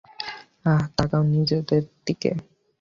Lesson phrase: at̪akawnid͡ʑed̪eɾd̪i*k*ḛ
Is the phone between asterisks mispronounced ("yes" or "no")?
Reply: no